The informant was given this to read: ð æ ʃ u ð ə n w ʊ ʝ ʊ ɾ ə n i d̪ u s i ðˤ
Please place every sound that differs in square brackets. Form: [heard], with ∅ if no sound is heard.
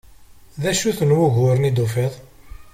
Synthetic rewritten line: ð æ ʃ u [θ] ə n w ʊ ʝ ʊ ɾ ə n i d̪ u [f] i ðˤ